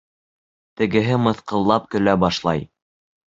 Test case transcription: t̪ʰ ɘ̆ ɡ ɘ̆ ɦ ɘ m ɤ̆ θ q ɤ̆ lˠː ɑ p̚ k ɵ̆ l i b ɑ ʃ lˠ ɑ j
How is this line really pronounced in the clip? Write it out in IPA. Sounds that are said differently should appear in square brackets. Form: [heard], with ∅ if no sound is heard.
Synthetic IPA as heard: [t̪] ɘ̆ ɡ ɘ̆ ɦ ɘ m ɤ̆ θ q ɤ̆ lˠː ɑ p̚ k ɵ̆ l [æ] b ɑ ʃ lˠ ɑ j

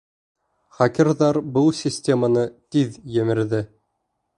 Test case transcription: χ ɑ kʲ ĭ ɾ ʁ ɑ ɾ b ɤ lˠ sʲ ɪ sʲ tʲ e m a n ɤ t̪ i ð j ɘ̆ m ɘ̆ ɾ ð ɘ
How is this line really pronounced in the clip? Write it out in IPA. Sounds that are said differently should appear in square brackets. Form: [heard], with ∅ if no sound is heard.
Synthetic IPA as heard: χ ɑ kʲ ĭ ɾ [ð] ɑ ɾ b ɤ lˠ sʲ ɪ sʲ tʲ e m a n ɤ t̪ i ð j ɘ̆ m ɘ̆ ɾ ð ɘ

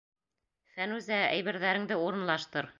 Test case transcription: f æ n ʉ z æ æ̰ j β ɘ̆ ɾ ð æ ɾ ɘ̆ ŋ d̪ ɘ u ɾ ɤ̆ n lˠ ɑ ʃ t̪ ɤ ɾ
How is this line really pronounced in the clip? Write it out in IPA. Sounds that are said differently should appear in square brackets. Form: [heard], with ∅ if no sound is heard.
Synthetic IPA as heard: f æ n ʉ z æ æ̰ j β ɘ̆ ɾ ð æ ɾ ɘ̆ ŋ d̪ ɘ u ɾ ɤ̆ n lˠ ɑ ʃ t̪ ɤ ɾ

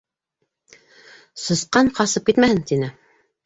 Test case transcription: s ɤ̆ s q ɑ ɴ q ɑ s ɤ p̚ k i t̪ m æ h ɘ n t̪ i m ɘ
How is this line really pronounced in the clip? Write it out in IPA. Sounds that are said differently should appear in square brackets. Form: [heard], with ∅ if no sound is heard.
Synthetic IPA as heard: s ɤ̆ s q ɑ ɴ q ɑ s ɤ p̚ k i t̪ m æ h ɘ n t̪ i [n] ɘ

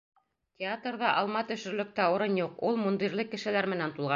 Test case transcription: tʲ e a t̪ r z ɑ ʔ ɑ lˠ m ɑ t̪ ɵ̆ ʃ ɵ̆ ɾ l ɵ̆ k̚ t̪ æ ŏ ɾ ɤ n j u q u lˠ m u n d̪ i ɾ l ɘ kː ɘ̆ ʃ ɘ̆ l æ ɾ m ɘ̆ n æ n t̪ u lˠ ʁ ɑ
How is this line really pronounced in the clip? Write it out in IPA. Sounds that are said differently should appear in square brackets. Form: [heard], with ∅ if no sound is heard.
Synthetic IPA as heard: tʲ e a t̪ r [ð] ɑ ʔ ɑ lˠ m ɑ t̪ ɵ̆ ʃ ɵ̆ ɾ l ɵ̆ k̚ t̪ æ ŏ ɾ ɤ n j u q u lˠ m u n d̪ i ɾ l ɘ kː ɘ̆ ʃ ɘ̆ l æ ɾ m ɘ̆ n æ n t̪ u lˠ ʁ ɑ

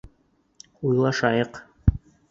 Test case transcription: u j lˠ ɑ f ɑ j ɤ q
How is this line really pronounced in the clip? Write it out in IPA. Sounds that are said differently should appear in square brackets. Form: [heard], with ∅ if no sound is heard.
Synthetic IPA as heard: u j lˠ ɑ [ʃ] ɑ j ɤ q

